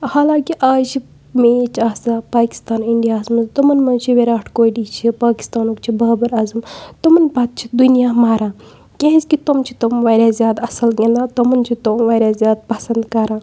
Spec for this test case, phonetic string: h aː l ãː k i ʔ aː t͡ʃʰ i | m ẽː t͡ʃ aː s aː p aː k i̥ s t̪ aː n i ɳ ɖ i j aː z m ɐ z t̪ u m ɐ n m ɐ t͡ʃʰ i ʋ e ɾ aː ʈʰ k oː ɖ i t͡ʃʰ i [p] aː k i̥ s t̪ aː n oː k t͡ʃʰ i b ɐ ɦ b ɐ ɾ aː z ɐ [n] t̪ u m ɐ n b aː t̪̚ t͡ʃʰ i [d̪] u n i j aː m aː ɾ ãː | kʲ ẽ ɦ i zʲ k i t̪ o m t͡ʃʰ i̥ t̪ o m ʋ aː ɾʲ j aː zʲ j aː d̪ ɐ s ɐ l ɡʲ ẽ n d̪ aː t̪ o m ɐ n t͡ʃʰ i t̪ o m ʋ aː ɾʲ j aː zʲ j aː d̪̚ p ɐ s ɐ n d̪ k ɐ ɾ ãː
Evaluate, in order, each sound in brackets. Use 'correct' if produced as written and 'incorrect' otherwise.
correct, incorrect: m, correct

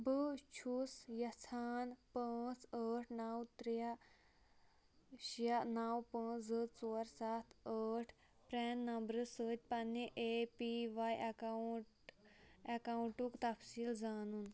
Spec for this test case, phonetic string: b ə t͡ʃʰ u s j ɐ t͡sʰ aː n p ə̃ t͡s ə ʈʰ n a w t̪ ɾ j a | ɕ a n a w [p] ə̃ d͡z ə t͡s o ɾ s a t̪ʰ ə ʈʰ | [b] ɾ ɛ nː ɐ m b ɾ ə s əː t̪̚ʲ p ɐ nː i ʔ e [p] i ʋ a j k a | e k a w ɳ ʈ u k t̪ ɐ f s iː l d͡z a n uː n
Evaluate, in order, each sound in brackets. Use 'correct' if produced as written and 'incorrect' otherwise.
correct, incorrect: p, correct

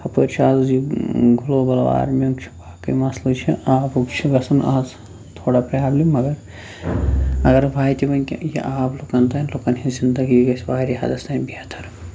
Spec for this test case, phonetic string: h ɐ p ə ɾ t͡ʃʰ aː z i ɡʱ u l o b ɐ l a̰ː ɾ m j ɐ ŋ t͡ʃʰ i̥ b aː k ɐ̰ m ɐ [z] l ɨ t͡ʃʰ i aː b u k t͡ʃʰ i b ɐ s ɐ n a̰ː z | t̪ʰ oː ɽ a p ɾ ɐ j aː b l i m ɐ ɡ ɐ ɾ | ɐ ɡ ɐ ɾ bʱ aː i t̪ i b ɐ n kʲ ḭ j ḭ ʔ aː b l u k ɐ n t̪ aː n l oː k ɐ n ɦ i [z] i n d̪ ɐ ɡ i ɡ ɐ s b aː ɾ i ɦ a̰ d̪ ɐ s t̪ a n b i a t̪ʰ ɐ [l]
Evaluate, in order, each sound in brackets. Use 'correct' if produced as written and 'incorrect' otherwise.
incorrect: s, correct, incorrect: ɾ

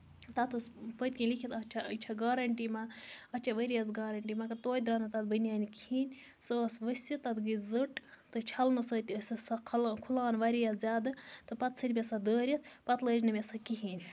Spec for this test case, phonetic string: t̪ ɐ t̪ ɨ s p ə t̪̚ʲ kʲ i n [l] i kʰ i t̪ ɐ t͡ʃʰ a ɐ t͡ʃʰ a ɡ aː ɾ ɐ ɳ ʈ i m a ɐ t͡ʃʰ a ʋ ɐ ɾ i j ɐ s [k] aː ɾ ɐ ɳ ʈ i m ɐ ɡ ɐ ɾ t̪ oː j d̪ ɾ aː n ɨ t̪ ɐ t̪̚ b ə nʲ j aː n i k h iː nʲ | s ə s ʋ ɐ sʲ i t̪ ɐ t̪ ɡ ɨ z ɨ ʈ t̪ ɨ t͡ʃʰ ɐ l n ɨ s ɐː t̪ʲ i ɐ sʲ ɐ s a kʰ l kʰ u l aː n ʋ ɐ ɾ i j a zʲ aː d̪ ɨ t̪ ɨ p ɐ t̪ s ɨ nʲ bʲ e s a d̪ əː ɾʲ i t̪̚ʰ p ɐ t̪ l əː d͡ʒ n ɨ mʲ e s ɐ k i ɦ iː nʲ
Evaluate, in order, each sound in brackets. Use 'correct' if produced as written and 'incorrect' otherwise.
correct, incorrect: ɡ

